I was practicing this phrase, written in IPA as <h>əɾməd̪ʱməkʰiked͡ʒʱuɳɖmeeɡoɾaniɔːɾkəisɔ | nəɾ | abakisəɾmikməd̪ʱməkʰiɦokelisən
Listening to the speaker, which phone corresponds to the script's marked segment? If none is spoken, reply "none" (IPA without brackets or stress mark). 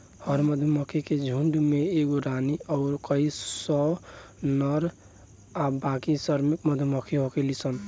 h